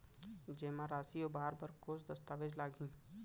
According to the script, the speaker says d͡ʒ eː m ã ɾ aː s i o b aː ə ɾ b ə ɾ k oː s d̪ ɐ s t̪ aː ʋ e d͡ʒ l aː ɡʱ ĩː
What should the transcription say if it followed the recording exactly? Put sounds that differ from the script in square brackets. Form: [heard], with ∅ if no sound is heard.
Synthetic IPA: d͡ʒ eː m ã ɾ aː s i o b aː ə ɾ b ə ɾ k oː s d̪ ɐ s t̪ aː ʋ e d͡ʒ l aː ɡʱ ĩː